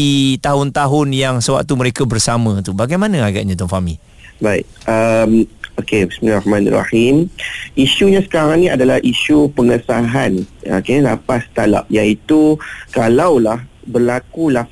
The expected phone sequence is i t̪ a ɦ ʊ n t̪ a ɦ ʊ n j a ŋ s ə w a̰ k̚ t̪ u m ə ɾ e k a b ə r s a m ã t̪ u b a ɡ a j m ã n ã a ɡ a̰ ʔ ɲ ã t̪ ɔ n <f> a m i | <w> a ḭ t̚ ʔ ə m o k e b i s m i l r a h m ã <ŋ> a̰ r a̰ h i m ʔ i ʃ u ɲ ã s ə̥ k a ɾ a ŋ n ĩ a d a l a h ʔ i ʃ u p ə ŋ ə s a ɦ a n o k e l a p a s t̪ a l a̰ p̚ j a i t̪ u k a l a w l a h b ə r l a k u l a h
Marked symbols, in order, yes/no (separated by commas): yes, no, no